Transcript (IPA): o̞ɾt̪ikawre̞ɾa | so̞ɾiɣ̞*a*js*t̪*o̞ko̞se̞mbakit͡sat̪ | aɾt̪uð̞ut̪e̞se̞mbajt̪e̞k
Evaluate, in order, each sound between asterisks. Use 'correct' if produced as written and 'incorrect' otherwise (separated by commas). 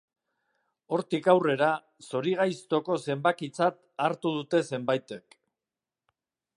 correct, correct